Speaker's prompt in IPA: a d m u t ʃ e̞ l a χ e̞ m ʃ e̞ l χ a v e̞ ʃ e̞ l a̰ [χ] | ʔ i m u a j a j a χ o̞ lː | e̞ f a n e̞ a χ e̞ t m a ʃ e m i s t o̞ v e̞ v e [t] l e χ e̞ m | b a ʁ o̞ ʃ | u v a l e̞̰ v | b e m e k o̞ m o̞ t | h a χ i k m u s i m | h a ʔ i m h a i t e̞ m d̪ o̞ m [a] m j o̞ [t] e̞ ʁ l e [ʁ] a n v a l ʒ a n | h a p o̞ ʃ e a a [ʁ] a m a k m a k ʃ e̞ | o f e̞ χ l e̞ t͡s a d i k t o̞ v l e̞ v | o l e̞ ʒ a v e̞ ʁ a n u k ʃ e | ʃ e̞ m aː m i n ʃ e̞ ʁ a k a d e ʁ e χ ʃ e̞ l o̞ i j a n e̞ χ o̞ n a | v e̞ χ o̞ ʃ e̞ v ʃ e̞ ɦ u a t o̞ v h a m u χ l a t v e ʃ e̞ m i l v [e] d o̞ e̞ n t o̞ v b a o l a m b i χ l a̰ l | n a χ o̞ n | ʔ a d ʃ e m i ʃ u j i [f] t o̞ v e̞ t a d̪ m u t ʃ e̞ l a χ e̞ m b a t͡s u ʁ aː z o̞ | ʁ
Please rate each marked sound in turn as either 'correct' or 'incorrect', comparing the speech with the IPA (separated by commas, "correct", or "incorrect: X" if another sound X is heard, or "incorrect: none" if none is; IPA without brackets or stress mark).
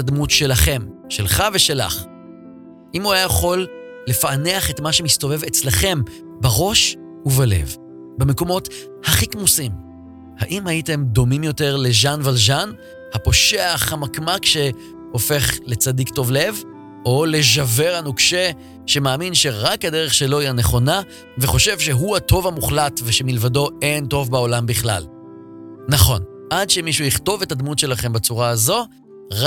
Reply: correct, incorrect: t͡s, incorrect: i, correct, incorrect: ʒ, incorrect: χ, incorrect: a, incorrect: χ